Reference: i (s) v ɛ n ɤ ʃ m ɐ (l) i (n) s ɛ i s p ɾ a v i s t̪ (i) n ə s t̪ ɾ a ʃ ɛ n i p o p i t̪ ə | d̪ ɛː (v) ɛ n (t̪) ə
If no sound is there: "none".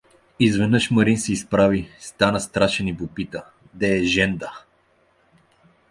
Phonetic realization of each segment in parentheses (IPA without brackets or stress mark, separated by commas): z, ɾ, n, a, ʒ, d̪